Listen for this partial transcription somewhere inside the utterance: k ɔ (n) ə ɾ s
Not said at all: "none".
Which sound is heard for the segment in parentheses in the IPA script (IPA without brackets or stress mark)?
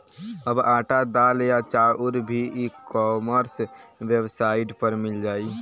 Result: m